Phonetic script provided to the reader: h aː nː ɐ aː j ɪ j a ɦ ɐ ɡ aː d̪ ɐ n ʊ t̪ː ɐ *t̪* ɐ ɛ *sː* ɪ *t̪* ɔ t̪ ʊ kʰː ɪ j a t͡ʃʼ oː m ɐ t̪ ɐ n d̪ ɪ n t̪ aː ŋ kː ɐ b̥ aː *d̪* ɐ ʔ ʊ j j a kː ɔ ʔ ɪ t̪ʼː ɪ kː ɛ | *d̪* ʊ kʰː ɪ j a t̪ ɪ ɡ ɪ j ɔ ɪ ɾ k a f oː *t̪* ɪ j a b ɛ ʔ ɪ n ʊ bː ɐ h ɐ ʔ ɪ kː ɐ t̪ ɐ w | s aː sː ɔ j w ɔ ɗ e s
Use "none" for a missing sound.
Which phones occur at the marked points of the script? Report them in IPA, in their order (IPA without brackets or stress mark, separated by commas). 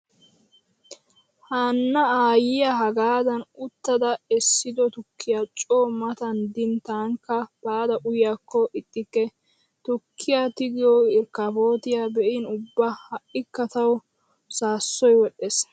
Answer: d̪, sː, d̪, d̪, t̪, t̪